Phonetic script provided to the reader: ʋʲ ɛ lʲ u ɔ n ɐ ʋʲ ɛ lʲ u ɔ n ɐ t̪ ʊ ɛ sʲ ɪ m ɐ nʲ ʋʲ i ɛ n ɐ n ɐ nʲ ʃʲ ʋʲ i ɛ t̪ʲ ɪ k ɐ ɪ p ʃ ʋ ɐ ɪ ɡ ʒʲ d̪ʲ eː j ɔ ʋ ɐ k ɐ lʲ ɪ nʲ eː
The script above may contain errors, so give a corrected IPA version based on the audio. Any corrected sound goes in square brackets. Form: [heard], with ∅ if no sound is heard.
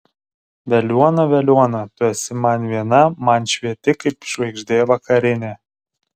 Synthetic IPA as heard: ʋʲ ɛ lʲ u ɔ n ɐ ʋʲ ɛ lʲ u ɔ n ɐ t̪ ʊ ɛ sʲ ɪ m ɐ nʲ ʋʲ i ɛ n ɐ [m] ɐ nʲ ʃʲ ʋʲ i ɛ t̪ʲ ɪ k ɐ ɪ p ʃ ʋ ɐ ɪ ɡ ʒʲ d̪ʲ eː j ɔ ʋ ɐ k ɐ [ɾʲ] ɪ nʲ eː